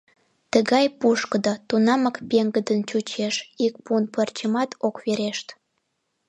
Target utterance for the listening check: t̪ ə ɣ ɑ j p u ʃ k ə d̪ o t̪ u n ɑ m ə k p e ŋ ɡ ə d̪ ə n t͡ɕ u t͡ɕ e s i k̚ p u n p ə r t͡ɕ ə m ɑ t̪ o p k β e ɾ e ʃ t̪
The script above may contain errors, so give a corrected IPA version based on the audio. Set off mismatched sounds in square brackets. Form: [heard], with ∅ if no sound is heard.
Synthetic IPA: t̪ ə ɣ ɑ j p u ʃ k ə d̪ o t̪ u n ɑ m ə k p e ŋ ɡ ə d̪ ə n t͡ɕ u t͡ɕ e [ʃ] i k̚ p u n p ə r t͡ɕ ə m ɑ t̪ o [∅] k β e ɾ e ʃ t̪